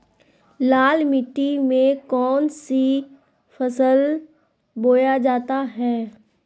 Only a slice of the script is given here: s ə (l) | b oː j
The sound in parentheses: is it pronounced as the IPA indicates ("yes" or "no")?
yes